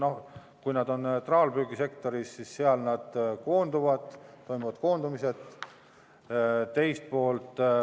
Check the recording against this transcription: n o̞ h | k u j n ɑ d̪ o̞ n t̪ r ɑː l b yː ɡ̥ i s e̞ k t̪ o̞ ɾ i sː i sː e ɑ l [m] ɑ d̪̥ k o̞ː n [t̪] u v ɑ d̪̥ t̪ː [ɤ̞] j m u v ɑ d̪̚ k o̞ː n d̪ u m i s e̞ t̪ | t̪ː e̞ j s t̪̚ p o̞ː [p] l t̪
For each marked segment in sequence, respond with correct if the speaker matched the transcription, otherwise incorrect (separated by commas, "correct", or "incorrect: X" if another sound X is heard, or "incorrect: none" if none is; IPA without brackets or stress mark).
incorrect: n, incorrect: d̪, incorrect: o̞, incorrect: none